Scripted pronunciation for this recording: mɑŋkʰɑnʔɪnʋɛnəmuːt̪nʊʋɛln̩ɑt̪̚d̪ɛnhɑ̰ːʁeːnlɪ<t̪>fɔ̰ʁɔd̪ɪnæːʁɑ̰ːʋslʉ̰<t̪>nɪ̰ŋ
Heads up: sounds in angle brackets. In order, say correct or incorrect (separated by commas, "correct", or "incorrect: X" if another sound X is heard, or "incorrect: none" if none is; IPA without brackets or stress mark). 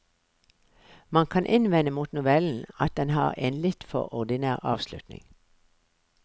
correct, correct